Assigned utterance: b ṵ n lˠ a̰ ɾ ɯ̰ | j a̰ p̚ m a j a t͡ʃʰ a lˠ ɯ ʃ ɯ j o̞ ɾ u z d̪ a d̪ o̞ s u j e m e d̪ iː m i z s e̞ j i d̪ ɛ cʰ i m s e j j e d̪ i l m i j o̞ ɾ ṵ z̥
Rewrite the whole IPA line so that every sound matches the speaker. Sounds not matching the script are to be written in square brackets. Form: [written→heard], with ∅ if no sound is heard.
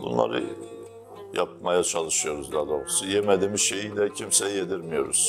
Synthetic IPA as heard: b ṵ n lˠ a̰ ɾ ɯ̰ | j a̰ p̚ m a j a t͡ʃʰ a lˠ ɯ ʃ ɯ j o̞ ɾ u z d̪ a d̪ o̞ s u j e m e d̪ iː m i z [s→ʃ] e̞ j i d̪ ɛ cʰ i m s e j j e d̪ i [l→ɾ] m i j o̞ ɾ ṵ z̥

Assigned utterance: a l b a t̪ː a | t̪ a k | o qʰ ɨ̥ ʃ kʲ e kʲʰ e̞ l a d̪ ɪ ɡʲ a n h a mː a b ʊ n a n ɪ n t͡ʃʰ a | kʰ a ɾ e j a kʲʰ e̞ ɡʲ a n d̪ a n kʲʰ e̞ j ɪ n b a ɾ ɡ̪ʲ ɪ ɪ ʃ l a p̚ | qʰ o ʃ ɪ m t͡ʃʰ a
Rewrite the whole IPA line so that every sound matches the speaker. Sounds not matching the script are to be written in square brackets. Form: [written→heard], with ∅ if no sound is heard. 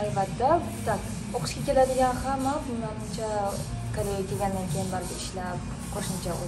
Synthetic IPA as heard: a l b a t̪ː a | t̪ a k | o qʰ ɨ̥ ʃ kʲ [e→a] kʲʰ e̞ l a d̪ ɪ ɡʲ a n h a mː a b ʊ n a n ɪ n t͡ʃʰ a | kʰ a ɾ e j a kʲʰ e̞ ɡʲ a n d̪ a n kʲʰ e̞ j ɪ n b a ɾ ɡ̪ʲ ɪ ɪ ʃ l a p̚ | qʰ o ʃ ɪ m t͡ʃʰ a

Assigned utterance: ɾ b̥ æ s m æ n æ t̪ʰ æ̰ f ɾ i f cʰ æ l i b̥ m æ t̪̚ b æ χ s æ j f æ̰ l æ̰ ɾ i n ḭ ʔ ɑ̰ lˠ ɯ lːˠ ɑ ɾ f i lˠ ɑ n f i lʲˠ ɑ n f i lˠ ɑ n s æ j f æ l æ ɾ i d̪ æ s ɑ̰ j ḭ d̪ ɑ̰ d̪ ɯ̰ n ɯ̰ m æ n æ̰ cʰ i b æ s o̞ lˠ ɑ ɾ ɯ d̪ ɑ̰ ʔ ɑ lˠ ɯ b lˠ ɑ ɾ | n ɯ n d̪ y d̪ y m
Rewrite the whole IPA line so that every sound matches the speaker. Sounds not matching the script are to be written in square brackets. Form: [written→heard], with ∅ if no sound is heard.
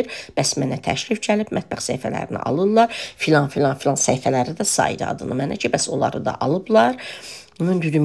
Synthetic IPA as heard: ɾ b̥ æ s m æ n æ t̪ʰ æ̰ [f→ʃ] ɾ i f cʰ æ l i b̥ m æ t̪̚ b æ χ s æ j f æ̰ l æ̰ ɾ i n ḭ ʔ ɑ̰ lˠ ɯ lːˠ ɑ ɾ f i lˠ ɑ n f i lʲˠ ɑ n f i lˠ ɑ n s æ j f æ l æ ɾ i d̪ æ s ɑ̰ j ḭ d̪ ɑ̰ d̪ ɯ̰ n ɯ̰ m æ n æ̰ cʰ i b æ s o̞ lˠ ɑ ɾ ɯ d̪ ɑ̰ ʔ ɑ lˠ ɯ b lˠ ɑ ɾ | n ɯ n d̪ y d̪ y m

